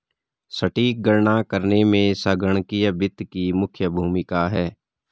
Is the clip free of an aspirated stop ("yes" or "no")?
no